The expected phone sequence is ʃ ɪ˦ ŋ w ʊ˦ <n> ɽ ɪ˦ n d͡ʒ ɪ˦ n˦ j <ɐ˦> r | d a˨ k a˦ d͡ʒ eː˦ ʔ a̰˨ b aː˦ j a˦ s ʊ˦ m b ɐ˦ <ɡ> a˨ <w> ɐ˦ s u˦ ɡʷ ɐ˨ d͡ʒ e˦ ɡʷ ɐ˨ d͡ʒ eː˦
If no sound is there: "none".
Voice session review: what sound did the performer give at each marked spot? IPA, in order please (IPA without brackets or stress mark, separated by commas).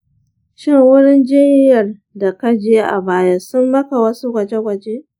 none, ɐ˨, k, w